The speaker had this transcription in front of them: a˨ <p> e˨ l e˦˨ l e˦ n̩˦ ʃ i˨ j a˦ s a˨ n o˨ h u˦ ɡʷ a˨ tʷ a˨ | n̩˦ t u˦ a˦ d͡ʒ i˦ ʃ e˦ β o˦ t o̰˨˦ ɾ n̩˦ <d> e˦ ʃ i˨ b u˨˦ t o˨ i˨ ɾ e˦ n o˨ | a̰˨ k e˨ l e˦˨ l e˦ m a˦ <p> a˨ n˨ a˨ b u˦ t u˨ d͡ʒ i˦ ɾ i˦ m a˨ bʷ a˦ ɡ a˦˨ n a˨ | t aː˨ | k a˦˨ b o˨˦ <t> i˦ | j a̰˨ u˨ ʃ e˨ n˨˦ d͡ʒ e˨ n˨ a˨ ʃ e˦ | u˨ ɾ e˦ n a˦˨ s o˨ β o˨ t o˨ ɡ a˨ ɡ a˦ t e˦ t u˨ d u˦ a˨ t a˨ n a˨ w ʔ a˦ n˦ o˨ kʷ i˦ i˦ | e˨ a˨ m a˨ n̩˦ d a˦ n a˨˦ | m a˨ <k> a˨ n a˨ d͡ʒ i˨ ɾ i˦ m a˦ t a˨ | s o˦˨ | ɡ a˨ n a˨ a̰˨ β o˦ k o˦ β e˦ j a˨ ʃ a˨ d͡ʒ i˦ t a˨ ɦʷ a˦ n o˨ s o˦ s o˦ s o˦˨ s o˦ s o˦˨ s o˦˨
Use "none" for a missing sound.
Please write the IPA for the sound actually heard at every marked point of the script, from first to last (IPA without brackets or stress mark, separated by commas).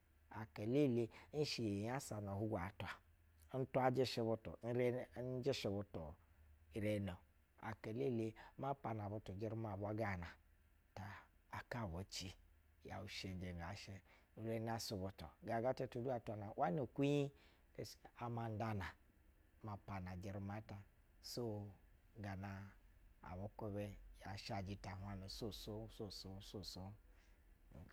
k, d͡ʒ, p, t͡ʃ, p